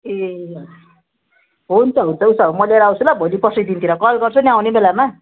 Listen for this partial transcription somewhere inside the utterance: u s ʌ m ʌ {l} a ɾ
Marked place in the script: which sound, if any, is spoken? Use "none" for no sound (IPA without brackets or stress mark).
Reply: l